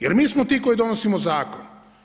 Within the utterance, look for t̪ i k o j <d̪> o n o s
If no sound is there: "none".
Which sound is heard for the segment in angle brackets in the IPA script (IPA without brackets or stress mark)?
d̪